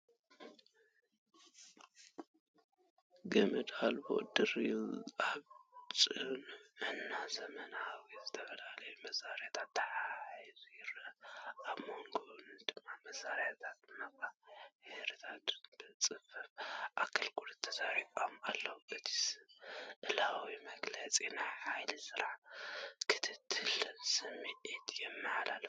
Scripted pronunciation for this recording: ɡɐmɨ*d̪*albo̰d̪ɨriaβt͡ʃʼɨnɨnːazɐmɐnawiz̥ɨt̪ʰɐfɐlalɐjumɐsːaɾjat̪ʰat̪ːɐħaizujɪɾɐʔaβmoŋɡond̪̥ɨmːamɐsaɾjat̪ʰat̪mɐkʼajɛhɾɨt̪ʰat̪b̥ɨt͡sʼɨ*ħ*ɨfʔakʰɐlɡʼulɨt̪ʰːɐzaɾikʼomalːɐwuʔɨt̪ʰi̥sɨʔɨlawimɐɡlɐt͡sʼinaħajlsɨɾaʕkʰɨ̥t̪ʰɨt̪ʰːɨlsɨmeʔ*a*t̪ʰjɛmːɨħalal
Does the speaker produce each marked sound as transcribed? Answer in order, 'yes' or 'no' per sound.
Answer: yes, no, no

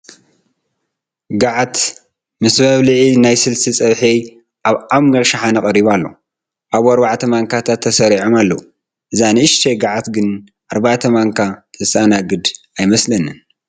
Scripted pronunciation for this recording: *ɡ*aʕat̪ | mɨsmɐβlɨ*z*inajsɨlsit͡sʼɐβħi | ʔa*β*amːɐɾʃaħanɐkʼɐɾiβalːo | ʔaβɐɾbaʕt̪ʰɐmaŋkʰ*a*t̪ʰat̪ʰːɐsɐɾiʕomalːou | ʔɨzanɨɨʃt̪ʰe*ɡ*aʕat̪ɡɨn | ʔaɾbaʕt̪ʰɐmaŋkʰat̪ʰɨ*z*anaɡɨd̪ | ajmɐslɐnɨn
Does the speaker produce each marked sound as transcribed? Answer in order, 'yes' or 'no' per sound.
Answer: yes, no, yes, yes, yes, no

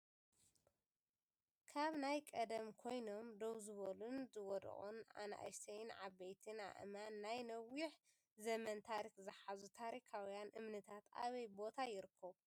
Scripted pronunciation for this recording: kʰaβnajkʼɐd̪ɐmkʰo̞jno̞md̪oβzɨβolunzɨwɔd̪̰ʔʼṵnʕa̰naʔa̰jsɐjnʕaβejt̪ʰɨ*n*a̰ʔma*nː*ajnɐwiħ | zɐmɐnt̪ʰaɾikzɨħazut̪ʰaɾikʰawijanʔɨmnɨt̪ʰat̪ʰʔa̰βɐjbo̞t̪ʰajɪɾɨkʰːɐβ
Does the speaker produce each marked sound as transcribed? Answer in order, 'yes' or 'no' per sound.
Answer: yes, yes

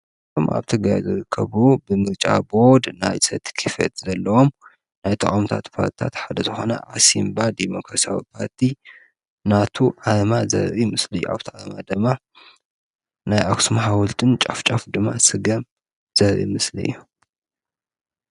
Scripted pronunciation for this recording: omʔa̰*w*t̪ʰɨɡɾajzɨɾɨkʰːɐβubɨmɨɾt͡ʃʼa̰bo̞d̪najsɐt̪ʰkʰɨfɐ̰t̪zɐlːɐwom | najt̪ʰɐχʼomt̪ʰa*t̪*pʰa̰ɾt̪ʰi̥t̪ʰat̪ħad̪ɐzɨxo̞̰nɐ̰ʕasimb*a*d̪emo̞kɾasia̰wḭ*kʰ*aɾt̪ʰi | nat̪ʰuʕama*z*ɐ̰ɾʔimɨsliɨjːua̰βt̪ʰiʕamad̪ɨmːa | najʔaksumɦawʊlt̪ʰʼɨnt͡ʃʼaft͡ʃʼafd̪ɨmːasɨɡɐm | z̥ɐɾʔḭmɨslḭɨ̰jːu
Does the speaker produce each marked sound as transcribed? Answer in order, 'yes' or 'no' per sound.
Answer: no, yes, yes, no, yes

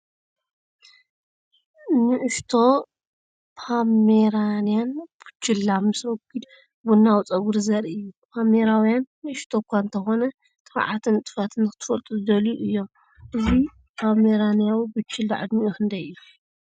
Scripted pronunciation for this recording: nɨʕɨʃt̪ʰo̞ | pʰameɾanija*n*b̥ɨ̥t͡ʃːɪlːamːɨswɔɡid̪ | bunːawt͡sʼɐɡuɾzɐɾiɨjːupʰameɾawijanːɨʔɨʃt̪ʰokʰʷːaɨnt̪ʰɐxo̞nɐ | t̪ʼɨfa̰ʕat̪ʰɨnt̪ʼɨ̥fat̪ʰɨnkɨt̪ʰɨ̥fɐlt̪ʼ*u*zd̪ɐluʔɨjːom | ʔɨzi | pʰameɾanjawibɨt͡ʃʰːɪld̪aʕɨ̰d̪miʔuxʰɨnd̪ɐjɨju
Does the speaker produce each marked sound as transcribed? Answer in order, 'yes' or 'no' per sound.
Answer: yes, yes

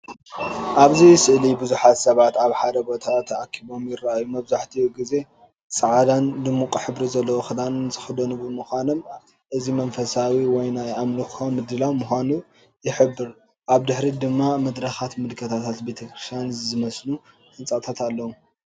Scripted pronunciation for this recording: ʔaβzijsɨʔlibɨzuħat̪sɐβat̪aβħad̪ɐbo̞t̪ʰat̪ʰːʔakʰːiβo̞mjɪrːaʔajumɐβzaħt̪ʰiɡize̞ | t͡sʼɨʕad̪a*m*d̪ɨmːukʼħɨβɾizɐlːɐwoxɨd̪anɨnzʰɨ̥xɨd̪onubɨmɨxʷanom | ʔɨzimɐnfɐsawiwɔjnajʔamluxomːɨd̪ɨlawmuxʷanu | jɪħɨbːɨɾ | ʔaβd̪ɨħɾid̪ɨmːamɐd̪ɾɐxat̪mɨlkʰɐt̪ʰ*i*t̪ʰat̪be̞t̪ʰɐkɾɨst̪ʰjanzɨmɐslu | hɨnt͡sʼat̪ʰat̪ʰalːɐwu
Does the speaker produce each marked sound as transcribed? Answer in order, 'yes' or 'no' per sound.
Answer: no, no

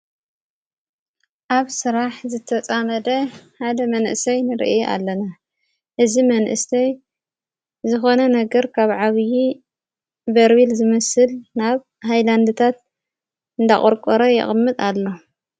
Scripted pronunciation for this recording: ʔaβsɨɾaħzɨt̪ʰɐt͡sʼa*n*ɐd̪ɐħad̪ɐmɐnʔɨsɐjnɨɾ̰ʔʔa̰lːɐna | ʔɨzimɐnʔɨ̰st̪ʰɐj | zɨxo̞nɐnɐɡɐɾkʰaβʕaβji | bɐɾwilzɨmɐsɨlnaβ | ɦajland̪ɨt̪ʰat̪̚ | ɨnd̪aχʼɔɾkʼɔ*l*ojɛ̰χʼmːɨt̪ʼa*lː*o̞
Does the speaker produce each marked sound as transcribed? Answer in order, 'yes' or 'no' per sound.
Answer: no, no, yes

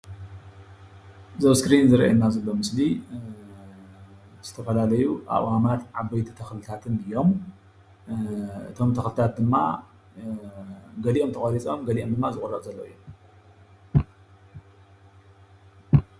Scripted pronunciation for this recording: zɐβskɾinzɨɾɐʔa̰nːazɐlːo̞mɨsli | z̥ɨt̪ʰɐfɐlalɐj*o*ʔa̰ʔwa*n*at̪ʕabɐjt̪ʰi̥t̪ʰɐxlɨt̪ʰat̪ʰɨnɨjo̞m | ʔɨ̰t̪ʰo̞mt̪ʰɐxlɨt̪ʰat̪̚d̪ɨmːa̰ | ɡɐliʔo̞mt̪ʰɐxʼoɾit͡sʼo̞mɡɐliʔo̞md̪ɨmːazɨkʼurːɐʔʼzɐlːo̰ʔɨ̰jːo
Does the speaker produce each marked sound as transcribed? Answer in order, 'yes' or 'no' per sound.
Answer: no, no

